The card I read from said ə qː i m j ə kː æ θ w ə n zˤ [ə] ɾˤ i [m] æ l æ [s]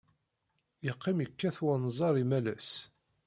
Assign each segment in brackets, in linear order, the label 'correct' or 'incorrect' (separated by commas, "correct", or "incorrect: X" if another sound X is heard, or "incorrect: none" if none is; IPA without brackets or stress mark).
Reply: incorrect: ɑ, correct, correct